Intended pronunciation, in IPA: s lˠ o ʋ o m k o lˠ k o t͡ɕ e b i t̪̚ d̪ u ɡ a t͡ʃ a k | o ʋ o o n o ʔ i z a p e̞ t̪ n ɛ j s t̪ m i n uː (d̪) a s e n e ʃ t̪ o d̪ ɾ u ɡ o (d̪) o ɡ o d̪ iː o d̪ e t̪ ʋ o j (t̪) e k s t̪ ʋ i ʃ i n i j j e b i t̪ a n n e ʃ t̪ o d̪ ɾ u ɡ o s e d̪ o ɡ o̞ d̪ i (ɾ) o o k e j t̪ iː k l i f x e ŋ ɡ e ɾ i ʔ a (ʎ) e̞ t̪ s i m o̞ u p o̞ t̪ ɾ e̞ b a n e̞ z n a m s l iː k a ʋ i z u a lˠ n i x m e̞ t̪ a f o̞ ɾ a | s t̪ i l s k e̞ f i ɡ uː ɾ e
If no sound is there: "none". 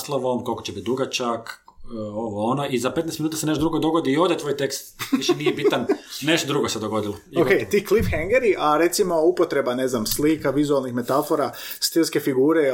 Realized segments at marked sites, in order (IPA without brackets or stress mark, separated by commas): t̪, d̪, t̪, l, ɾ